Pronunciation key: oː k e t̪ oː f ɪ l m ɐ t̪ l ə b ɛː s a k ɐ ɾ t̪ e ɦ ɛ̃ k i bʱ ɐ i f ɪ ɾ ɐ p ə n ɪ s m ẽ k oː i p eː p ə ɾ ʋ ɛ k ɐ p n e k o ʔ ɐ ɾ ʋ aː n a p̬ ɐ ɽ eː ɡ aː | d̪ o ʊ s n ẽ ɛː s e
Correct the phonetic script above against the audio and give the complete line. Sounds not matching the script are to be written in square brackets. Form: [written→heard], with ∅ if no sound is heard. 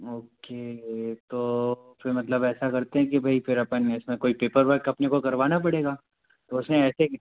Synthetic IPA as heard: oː k e t̪ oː f ɪ [l→ɾ] m ɐ t̪ l ə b ɛː s a k ɐ ɾ t̪ e ɦ ɛ̃ k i bʱ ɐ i f ɪ ɾ ɐ p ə n ɪ s m ẽ k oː i p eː p ə ɾ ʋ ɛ k ɐ p n e k o [ʔ→k] ɐ ɾ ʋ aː n a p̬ ɐ ɽ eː ɡ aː | [d̪→t̪] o ʊ s n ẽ ɛː s e